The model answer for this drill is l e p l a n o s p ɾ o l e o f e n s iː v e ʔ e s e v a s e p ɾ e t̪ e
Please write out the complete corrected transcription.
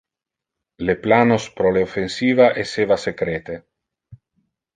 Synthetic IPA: l e p l a n o s p ɾ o l e o f e n s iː v a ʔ e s e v a s e k ɾ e t̪ e